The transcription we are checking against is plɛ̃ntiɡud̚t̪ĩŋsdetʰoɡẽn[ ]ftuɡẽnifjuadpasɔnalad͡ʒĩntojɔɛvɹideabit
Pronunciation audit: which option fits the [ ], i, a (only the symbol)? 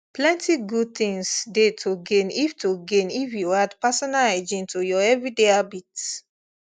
i